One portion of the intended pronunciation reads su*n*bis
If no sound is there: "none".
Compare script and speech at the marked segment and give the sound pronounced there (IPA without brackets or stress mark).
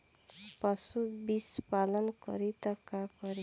none